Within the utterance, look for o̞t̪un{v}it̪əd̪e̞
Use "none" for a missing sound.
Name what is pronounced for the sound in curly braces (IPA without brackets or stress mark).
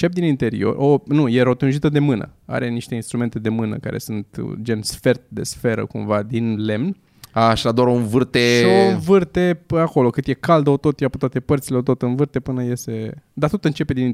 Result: ʒ